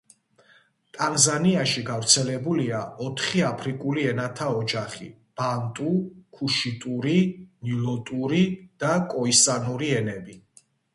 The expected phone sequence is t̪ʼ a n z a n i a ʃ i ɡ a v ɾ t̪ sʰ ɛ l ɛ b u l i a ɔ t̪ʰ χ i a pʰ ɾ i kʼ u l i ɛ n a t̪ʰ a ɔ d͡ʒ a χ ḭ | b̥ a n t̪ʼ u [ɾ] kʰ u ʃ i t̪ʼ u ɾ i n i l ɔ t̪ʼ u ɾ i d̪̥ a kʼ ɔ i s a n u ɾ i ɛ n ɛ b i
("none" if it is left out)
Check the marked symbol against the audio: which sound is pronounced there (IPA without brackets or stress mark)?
none